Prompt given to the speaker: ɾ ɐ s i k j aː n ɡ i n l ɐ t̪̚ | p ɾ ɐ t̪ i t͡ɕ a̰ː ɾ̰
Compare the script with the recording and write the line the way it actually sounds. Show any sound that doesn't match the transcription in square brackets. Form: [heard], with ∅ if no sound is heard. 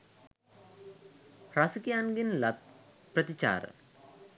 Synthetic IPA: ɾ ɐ s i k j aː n ɡ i n l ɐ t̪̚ | p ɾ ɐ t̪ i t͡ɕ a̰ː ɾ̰

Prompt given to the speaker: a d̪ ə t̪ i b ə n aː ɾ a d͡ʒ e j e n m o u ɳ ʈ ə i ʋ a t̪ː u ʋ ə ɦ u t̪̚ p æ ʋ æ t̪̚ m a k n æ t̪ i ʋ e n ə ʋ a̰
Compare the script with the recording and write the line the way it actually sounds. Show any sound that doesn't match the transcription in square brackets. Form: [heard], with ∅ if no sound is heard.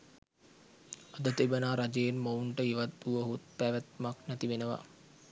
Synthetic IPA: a d̪ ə t̪ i b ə n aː ɾ a d͡ʒ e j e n m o u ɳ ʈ ə i ʋ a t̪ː u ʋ ə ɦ u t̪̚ p æ ʋ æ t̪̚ m a k n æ t̪ i ʋ e n ə ʋ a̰

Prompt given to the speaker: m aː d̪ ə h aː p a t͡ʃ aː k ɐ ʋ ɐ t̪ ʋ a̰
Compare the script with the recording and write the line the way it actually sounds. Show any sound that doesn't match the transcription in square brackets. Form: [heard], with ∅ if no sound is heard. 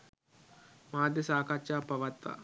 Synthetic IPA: m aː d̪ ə [s] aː [k] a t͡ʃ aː [p] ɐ ʋ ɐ t̪ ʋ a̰

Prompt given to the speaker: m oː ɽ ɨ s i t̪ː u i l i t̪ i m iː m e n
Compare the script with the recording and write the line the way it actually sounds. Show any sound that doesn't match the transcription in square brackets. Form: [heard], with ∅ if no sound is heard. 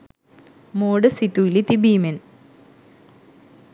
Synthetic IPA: m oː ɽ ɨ s i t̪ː u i l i t̪ i [b] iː m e n

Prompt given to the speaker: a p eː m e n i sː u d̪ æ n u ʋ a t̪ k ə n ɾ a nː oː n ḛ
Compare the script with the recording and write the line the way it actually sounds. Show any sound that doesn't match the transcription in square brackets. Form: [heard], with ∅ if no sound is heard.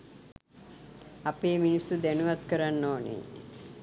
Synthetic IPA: a p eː m [i] n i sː u d̪ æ n u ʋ a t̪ k ə [∅] ɾ a nː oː n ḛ

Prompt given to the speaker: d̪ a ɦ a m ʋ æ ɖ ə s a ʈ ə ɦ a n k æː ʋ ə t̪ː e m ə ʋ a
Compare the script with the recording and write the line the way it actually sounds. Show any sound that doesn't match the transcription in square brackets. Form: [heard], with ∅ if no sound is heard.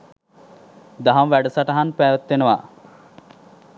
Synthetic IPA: d̪ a ɦ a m ʋ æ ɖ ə s a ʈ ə ɦ a n [p] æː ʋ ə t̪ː e [n] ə ʋ a

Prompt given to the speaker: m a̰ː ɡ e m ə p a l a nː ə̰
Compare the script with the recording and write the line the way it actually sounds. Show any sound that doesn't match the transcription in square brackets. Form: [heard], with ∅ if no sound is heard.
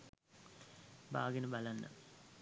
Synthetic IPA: [b] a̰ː ɡ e [n] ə [b] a l a nː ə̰

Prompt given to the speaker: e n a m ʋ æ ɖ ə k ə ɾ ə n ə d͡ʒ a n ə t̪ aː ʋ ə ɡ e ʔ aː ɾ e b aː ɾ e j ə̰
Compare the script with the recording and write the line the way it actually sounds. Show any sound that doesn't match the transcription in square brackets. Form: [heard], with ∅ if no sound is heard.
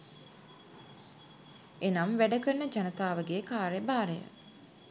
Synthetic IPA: e n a m ʋ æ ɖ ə k ə ɾ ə n ə d͡ʒ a n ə t̪ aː ʋ ə ɡ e [k] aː ɾ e b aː ɾ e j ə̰

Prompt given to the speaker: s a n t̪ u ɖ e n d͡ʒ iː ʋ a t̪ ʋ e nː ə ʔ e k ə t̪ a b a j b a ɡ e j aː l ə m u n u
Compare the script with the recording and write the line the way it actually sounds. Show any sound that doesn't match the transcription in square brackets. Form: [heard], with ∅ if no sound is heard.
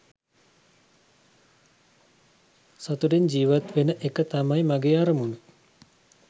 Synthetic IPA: s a [∅] t̪ u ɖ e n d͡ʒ iː ʋ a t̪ ʋ e [n] ə ʔ e k ə t̪ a [m] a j [m] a ɡ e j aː [ɾ] ə m u n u

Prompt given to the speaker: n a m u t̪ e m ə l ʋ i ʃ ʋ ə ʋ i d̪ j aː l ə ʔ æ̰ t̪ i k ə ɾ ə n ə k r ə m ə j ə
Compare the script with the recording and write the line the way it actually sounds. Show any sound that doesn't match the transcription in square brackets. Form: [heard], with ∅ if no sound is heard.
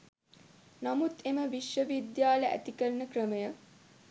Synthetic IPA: n a m u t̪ e m ə [∅] ʋ i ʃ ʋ ə ʋ i d̪ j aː l ə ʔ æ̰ t̪ i k ə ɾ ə n ə k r ə m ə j ə

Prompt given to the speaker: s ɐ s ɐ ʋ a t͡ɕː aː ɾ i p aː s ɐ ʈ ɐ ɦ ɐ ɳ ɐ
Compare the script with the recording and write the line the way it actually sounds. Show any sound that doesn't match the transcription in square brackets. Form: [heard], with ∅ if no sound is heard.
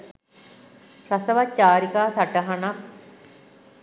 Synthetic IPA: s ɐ s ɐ ʋ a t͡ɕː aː ɾ i [k] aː s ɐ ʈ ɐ ɦ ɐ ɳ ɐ

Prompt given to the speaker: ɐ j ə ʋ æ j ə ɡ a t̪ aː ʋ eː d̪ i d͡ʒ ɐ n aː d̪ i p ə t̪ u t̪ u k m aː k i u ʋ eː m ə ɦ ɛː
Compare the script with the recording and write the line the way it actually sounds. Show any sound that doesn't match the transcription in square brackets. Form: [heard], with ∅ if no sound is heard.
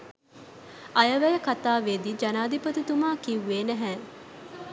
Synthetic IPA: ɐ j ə ʋ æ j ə [k] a t̪ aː ʋ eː d̪ i d͡ʒ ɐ n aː d̪ i p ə t̪ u t̪ u [∅] m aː k i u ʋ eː [n] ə ɦ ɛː

